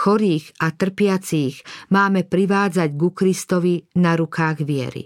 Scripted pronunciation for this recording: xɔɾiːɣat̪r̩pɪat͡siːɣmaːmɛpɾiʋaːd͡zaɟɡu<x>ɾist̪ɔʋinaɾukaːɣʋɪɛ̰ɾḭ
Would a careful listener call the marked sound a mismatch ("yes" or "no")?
yes